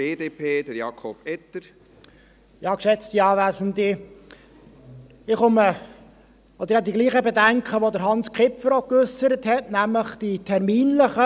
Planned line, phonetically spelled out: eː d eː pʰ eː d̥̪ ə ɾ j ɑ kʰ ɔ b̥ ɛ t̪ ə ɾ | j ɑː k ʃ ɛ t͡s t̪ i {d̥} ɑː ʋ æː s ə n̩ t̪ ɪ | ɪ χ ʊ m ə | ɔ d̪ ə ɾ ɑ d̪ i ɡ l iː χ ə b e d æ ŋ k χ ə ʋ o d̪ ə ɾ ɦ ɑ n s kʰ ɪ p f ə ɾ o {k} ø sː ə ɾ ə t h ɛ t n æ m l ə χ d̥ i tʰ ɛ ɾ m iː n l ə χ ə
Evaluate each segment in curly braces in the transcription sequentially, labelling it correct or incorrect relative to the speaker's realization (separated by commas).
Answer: incorrect, correct